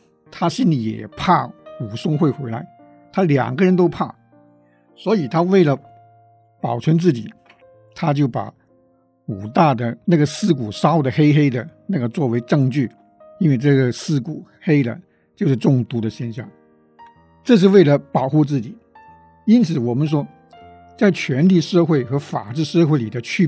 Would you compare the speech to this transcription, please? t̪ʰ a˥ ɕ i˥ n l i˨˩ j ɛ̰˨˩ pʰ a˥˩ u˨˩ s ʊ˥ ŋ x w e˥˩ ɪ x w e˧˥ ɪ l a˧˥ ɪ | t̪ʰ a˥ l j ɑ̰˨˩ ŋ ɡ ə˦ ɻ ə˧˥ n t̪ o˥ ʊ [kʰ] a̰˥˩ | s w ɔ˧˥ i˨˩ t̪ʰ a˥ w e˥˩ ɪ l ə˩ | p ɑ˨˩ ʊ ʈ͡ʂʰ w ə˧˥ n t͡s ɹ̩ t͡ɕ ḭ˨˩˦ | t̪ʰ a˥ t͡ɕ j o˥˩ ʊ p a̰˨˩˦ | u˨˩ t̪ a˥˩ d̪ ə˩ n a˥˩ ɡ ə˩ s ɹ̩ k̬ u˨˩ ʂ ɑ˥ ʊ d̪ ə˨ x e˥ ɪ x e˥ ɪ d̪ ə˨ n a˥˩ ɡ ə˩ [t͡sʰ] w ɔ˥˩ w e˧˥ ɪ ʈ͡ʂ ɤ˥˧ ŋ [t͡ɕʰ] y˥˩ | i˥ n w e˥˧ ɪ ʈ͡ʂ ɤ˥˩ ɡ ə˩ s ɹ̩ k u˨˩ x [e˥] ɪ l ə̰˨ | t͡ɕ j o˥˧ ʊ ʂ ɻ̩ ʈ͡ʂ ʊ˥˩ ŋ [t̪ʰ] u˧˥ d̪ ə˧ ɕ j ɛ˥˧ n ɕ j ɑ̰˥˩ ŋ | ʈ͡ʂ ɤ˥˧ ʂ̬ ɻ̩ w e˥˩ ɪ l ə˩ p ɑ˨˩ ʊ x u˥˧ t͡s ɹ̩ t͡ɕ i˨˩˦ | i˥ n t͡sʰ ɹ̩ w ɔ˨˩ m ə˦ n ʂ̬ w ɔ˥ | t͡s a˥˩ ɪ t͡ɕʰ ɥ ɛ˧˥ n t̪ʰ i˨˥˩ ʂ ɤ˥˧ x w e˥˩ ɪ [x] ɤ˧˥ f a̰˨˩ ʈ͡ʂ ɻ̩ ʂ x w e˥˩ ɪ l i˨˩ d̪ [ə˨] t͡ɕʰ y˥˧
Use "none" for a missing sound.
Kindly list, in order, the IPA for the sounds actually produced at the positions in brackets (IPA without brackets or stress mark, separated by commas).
pʰ, t͡s, t͡ɕ, e˥, t̪, x, ə˦